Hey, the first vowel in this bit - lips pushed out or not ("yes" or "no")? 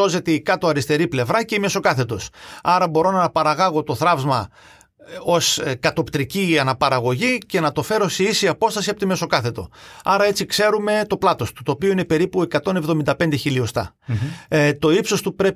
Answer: yes